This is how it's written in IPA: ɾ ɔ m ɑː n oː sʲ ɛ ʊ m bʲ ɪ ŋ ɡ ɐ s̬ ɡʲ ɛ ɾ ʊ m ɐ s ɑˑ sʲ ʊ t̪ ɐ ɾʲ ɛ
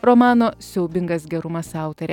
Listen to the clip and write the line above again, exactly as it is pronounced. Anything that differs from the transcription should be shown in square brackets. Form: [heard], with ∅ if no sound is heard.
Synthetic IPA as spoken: ɾ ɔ m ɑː n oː sʲ ɛ ʊ [∅] bʲ ɪ ŋ ɡ ɐ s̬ ɡʲ ɛ ɾ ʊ m ɐ s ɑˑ [∅] ʊ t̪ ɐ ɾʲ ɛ